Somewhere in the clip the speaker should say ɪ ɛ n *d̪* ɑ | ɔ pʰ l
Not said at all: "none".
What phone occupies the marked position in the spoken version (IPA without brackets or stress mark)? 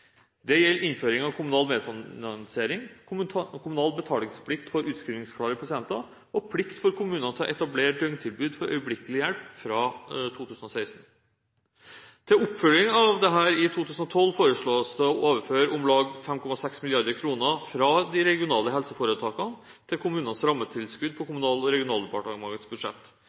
t̪